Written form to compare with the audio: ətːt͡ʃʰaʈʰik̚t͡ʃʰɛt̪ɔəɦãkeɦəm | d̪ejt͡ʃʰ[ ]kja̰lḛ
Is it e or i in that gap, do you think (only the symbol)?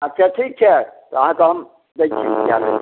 i